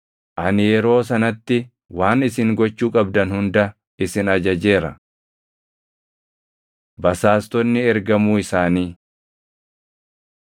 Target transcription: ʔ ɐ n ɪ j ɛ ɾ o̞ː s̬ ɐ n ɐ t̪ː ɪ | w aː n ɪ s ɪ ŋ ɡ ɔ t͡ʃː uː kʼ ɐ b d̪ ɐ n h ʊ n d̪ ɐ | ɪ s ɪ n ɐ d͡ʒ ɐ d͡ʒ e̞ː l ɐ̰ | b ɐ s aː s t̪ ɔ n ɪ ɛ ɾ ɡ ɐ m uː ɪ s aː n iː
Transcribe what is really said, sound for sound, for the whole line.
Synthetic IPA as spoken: ʔ ɐ n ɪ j ɛ ɾ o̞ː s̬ ɐ n ɐ t̪ː ɪ | w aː n ɪ s ɪ ŋ ɡ ɔ t͡ʃː uː kʼ ɐ b d̪ ɐ n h ʊ n d̪ ɐ | ɪ s ɪ n ɐ d͡ʒ ɐ d͡ʒ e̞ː ɾ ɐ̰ | b ɐ s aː s t̪ ɔ nː ɪ ɛ ɾ ɡ ɐ m uː ɪ s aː n iː